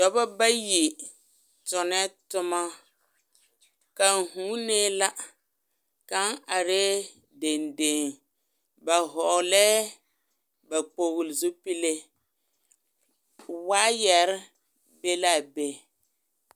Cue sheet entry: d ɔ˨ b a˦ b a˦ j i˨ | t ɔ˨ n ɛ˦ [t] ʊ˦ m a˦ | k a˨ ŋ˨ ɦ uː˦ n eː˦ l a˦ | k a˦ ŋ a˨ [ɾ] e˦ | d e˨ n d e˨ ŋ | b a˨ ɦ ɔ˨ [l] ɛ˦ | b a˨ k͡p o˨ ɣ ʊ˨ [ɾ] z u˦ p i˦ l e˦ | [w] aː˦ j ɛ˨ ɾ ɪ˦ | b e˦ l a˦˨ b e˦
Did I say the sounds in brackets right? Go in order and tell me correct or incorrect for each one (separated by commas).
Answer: correct, correct, correct, incorrect, correct